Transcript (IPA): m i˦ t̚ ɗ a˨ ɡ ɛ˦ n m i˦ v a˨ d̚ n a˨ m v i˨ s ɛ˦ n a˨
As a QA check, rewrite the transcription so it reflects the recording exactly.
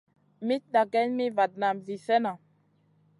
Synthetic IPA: m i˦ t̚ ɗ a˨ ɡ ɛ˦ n m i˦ v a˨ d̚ n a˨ m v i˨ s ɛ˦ n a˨